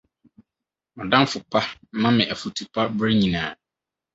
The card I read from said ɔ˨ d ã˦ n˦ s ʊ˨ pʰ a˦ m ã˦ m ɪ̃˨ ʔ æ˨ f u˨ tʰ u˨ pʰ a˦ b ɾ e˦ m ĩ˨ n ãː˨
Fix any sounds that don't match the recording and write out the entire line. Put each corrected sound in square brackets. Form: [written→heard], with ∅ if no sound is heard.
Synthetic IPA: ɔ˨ d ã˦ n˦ [s→f] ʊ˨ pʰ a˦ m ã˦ m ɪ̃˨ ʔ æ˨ f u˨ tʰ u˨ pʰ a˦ b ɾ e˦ [m→ɲ] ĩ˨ n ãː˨

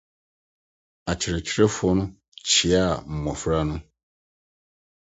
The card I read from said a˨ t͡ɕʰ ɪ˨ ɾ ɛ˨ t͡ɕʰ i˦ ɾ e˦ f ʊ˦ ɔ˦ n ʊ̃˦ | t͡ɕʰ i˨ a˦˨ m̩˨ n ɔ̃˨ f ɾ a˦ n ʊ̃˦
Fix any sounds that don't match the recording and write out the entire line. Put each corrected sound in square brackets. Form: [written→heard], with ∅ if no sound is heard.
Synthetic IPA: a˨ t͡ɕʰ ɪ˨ ɾ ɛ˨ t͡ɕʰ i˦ ɾ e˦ f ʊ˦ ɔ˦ n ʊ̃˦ | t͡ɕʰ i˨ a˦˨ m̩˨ [n→m] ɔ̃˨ f ɾ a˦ n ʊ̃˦

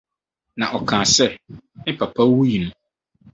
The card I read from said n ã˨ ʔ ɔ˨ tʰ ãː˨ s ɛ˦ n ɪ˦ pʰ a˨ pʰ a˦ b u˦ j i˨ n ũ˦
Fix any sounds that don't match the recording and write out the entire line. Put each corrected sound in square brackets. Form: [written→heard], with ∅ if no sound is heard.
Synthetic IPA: n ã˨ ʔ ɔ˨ [tʰ→kʰ] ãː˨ s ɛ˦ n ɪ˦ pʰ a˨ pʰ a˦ [b→w] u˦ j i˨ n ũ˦

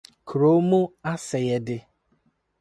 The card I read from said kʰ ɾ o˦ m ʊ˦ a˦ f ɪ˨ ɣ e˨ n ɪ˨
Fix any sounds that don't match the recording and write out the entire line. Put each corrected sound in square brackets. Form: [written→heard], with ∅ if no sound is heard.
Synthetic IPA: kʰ ɾ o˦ m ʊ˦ a˦ [f→s] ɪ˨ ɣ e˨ [n→d] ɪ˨

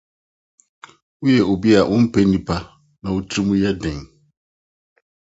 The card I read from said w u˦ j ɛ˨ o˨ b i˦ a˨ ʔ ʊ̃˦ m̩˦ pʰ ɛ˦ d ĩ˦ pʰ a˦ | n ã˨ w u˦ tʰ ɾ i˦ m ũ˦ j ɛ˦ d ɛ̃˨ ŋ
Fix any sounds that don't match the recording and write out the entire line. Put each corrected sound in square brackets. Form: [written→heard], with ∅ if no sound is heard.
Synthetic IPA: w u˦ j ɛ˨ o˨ b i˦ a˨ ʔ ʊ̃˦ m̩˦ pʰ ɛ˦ [d→n] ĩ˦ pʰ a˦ | n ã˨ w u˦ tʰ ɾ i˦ m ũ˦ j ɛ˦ d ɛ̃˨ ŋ

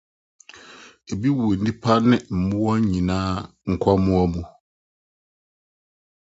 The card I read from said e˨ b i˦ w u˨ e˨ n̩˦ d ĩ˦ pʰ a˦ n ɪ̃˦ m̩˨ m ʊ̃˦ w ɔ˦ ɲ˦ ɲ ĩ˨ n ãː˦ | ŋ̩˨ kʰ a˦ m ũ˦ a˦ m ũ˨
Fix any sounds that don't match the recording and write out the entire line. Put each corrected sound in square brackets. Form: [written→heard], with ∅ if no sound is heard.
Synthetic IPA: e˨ b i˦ w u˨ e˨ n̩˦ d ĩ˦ pʰ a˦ n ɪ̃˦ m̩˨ m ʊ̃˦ w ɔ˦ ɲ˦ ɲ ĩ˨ n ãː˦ | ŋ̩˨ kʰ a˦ m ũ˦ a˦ m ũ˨

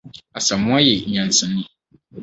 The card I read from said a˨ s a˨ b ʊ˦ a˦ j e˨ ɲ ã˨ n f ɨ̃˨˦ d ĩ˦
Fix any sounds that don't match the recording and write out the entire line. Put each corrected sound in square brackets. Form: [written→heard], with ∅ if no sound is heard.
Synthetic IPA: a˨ s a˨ [b→m] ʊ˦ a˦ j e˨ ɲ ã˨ n [f→s] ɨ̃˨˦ [d→n] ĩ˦

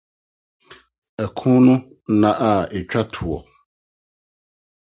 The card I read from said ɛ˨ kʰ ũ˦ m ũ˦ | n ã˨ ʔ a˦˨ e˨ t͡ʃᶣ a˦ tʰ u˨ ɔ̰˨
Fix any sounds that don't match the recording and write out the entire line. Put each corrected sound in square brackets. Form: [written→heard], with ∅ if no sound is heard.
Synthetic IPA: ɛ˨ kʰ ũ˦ [m→n] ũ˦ | n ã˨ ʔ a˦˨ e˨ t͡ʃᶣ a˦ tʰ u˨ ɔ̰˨

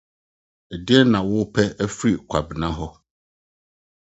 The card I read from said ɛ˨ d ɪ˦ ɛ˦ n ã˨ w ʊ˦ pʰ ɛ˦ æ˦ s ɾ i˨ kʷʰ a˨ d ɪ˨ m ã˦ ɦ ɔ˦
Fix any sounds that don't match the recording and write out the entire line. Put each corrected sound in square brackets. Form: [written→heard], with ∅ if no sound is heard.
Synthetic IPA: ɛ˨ d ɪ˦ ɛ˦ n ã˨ w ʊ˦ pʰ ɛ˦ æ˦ [s→f] ɾ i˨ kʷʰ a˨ [d→b] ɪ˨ [m→n] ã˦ ɦ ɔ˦

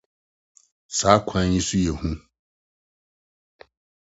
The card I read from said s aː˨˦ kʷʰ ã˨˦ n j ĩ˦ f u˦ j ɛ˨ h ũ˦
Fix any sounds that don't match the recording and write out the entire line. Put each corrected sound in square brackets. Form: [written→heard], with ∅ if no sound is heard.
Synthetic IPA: s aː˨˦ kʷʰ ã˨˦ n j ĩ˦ [f→s] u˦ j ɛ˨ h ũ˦

